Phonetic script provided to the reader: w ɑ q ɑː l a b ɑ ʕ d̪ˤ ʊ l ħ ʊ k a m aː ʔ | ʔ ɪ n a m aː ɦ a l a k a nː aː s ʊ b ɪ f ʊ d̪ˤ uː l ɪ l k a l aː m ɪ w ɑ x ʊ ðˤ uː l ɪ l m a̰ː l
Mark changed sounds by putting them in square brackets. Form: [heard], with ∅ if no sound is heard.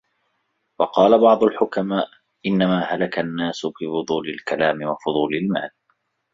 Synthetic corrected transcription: w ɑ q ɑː l a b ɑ ʕ d̪ˤ ʊ l ħ ʊ k a m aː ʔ | ʔ ɪ [nː] a m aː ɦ a l a k a nː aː s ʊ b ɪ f ʊ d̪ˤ uː l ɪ l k a l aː m ɪ w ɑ [f] ʊ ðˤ uː l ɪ l m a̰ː l

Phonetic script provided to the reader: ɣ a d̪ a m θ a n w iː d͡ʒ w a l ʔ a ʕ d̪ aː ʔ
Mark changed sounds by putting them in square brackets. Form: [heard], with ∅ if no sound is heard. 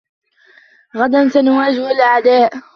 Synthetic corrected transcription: ɣ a d̪ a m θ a n w [aː] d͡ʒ w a l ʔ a ʕ d̪ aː ʔ

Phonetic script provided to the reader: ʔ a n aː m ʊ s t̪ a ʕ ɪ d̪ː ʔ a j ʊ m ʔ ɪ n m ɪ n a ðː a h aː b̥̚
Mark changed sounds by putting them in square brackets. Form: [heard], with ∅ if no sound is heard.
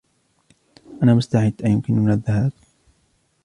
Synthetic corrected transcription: ʔ a n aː m ʊ s t̪ a ʕ ɪ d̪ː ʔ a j ʊ m [k] ɪ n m ɪ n a ðː a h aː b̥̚

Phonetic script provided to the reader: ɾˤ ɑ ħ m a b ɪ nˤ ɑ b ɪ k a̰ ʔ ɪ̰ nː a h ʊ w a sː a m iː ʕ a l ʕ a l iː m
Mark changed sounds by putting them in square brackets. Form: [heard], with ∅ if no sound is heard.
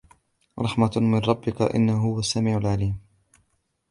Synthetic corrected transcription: ɾˤ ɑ ħ m a [m] ɪ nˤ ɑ [bː] ɪ k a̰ ʔ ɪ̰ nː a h ʊ w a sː a m iː ʕ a l ʕ a l iː m

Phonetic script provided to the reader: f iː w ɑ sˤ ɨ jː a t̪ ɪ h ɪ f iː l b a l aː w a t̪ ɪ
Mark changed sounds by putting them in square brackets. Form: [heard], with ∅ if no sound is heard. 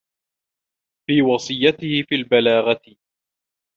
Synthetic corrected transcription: f iː w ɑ sˤ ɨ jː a t̪ ɪ h ɪ f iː l b a l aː [ɣ] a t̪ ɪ

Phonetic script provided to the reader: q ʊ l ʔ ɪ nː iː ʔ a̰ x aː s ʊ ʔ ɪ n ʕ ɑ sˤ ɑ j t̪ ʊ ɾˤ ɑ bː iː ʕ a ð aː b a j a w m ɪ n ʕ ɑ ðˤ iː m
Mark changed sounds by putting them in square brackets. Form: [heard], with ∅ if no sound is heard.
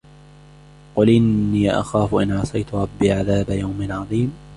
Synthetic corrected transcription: q ʊ l ʔ ɪ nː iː ʔ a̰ x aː [f] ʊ ʔ ɪ n ʕ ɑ sˤ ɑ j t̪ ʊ ɾˤ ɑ bː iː ʕ a ð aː b a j a w m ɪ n ʕ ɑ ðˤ iː m

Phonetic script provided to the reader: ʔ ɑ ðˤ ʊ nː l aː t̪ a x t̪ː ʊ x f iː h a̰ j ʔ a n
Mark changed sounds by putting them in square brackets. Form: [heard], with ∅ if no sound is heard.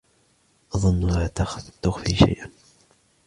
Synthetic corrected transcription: ʔ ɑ ðˤ ʊ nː l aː t̪ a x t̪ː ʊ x f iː [ʃ] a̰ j ʔ a n

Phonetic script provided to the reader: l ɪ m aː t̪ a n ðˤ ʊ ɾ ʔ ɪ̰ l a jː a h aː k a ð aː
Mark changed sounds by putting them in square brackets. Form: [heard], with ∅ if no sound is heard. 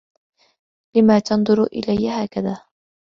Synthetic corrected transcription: l ɪ m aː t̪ [ɑ] n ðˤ ʊ ɾ ʔ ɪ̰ l a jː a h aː k a ð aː

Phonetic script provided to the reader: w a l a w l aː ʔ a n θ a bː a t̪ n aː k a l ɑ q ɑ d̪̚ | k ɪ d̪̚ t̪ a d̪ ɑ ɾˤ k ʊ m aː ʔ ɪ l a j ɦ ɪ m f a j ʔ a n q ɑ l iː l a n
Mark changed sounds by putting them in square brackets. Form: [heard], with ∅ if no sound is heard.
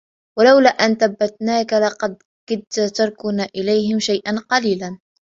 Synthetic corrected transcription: w a l a w l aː ʔ a n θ a bː a t̪ n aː k a l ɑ q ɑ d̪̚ | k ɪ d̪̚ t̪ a [t̪] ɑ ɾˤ k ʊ [n] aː ʔ ɪ l a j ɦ ɪ m [ʃ] a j ʔ a n q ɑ l iː l a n

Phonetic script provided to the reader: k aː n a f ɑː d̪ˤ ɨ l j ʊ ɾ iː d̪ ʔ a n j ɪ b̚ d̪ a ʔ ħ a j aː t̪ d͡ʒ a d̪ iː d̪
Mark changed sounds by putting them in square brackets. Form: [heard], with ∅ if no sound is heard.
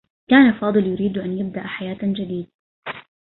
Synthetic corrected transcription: k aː n a f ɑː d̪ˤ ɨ l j ʊ ɾ iː d̪ ʔ a n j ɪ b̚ d̪ a ʔ ħ a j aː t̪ d͡ʒ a d̪ iː d̪

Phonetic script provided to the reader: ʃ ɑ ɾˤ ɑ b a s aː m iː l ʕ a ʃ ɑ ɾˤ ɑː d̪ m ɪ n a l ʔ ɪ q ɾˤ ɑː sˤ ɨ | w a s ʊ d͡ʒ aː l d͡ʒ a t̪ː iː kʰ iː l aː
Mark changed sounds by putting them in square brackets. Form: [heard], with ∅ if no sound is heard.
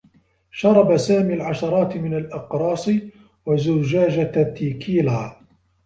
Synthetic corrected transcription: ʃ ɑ ɾˤ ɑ b a s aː m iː l ʕ a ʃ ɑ ɾˤ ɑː [t̪] m ɪ n a l ʔ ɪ q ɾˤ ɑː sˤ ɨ | w a [z] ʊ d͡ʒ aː [∅] d͡ʒ a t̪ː iː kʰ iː l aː

